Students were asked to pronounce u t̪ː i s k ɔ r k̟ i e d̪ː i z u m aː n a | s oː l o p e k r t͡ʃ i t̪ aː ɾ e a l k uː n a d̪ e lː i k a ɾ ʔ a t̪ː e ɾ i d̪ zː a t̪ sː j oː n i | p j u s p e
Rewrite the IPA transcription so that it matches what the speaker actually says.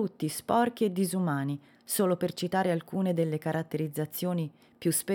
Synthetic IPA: u t̪ː i s p ɔ r k̟ i e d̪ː i z u m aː n i | s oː l o p e r t͡ʃ i t̪ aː ɾ e a l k uː n e d̪ e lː e k a ɾ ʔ a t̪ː e ɾ i d̪ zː a t̪ sː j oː n i | p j u s p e